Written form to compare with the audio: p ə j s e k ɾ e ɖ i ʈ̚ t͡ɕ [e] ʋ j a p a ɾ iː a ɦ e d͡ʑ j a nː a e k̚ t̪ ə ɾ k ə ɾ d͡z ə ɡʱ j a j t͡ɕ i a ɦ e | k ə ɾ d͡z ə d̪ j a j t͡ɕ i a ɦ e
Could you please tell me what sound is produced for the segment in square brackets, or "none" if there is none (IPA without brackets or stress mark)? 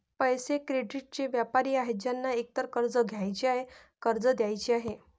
e